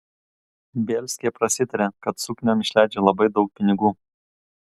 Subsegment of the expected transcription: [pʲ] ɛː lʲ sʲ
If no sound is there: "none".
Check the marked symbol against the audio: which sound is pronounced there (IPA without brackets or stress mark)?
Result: bʲ